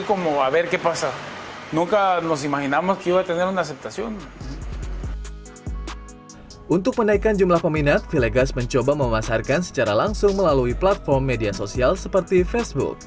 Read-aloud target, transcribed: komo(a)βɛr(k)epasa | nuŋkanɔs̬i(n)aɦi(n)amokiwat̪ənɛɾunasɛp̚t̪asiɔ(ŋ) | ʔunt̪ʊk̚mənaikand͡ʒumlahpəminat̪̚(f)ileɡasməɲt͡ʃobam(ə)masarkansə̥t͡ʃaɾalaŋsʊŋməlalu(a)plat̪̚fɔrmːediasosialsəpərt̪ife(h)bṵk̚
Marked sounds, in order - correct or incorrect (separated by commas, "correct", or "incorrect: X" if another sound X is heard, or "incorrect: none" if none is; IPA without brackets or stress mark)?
correct, correct, incorrect: m, correct, incorrect: n, correct, correct, incorrect: i, incorrect: s